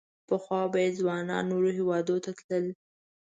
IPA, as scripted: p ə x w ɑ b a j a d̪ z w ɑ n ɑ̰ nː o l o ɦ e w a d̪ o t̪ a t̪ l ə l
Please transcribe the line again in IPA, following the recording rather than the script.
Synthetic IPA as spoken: p ə x w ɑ b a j e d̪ z w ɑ n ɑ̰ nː o ɾ o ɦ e w ɑ d̪ o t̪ a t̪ l ə l